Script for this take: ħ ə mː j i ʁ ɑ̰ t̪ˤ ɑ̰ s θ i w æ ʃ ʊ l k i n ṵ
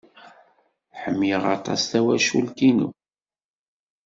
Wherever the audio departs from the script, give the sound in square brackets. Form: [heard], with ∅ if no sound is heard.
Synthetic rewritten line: ħ ə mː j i ʁ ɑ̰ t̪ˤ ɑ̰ s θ [æ] w æ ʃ [u] l k i n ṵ